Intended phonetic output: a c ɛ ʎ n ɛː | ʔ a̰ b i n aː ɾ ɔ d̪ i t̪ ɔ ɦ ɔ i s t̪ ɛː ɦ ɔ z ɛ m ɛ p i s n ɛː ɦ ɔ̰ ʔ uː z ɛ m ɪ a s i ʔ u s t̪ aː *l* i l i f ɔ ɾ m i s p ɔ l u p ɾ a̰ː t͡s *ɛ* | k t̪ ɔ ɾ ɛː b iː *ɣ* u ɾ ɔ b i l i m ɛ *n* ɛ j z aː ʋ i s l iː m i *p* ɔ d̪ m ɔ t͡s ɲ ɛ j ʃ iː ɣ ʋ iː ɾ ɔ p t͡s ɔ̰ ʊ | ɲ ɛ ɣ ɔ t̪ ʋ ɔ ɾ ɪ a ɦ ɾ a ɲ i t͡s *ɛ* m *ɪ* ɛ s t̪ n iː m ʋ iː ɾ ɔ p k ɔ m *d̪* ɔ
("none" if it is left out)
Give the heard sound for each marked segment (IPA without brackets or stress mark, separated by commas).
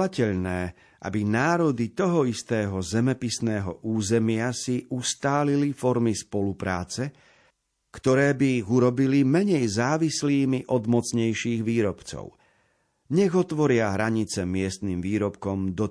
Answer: l, ɛ, ɣ, ɲ, ʔ, ɛ, ɪ, d̪